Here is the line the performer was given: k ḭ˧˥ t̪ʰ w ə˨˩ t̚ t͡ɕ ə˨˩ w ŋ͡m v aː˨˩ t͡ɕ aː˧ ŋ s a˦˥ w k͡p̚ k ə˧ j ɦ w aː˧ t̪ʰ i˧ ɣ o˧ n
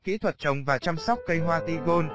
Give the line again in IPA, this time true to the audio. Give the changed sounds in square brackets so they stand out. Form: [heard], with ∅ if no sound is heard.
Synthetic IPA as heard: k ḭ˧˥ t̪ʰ w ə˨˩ t̚ t͡ɕ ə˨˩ w ŋ͡m v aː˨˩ t͡ɕ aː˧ [m] s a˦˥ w k͡p̚ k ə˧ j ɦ w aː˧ [t̪] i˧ ɣ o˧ n